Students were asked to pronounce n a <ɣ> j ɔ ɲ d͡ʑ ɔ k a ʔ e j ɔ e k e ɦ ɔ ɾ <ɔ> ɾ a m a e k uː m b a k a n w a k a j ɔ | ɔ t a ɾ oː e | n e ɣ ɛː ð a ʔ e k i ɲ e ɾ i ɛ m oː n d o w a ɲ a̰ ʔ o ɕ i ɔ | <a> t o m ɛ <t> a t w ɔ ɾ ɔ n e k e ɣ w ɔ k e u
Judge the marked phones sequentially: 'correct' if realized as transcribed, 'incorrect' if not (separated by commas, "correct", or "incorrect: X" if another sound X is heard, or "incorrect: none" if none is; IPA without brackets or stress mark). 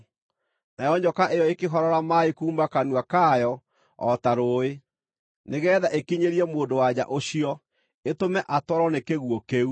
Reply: incorrect: none, correct, incorrect: e, incorrect: ʔ